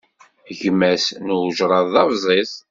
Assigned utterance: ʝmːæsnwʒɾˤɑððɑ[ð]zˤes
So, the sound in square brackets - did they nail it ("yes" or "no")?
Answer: no